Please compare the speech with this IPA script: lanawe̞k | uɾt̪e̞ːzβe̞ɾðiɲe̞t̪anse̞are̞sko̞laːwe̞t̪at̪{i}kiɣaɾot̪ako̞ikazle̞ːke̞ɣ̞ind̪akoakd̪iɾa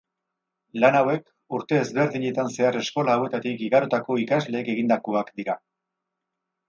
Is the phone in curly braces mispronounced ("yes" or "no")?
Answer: no